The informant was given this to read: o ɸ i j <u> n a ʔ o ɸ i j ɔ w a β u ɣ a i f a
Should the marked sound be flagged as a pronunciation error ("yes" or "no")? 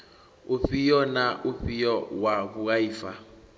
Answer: yes